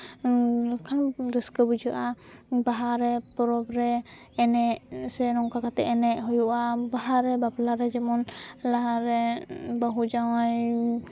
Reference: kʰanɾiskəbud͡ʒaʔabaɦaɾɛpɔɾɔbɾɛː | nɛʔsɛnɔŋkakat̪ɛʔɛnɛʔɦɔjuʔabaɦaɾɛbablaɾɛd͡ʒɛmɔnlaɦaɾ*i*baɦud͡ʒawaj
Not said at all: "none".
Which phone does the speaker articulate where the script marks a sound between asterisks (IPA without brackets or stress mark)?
ɛ